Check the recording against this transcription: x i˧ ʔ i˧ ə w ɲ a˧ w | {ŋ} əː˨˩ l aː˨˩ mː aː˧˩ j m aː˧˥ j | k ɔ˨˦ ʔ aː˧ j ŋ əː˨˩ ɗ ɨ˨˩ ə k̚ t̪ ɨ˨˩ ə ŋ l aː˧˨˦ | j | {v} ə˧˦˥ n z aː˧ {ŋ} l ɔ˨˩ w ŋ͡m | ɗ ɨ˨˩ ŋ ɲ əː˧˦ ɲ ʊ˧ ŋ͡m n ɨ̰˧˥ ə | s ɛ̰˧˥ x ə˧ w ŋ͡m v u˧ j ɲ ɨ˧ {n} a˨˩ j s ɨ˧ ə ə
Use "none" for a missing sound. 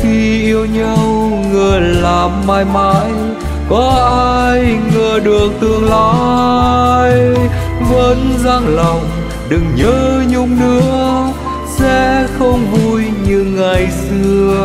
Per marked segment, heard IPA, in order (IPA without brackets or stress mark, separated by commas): ŋ, v, ŋ, ŋ